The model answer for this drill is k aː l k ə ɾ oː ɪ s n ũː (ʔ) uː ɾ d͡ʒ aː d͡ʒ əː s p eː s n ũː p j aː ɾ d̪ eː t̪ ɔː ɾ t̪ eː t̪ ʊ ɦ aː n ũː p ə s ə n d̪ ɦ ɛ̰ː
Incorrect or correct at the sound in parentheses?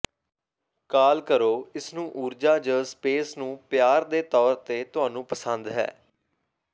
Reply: correct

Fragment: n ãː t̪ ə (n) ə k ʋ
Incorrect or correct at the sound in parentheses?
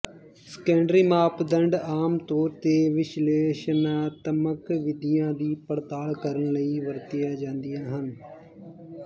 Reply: incorrect: m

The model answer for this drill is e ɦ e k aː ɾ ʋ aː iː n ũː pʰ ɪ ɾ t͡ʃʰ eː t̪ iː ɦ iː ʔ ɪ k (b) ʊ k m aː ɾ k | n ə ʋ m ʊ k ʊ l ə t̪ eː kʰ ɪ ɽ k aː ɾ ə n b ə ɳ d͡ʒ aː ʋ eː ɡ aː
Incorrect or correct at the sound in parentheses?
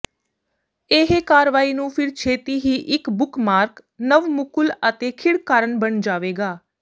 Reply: correct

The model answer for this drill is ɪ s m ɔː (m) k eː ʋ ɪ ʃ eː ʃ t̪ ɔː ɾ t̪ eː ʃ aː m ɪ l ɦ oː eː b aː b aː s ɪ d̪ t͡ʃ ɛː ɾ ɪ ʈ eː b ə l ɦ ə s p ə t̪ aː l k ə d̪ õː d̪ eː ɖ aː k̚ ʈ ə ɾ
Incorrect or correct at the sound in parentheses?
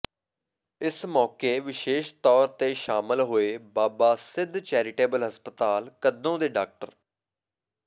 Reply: incorrect: none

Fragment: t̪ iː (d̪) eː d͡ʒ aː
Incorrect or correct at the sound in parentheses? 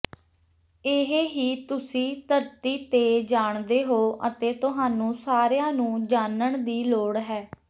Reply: incorrect: t̪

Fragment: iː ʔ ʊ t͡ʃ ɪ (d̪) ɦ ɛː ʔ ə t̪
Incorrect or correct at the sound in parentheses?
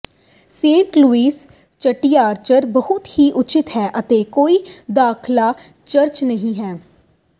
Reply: incorrect: t̪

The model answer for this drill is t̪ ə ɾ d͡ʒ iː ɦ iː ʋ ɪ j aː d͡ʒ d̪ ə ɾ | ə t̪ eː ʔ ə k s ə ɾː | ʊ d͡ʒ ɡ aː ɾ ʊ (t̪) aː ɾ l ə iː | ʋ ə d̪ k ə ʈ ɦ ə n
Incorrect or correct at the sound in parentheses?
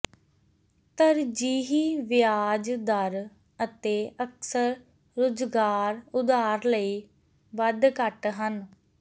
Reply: incorrect: d̪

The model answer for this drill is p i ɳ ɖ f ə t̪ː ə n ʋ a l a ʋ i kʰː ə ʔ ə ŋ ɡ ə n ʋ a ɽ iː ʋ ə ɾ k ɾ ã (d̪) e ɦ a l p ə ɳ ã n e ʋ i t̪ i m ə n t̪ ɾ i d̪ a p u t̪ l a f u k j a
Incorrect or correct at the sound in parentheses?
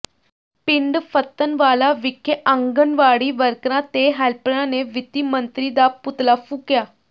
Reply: incorrect: t̪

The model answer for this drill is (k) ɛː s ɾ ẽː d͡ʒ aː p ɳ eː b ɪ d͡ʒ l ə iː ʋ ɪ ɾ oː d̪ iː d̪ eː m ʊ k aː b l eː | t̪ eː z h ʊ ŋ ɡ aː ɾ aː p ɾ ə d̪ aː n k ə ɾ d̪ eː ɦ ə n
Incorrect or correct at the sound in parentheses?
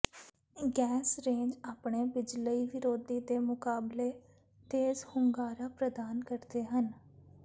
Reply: incorrect: ɡ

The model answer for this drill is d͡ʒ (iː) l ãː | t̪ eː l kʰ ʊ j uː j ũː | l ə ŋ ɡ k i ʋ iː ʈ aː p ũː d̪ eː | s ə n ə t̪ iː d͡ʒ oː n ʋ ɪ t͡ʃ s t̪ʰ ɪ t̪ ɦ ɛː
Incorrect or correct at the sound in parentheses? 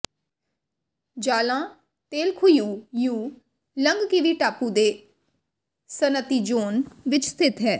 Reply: incorrect: aː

